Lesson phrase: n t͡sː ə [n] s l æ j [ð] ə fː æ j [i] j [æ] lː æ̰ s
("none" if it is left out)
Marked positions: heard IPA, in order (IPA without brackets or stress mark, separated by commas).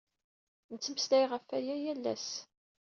m, ʁ, æ, æ